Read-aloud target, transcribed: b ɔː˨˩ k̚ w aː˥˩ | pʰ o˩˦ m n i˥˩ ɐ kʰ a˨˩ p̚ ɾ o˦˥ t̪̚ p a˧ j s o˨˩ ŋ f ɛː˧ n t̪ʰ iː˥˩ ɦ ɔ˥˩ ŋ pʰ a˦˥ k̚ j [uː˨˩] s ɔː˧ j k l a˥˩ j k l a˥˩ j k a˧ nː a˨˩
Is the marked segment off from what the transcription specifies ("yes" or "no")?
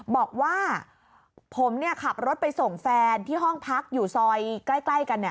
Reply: no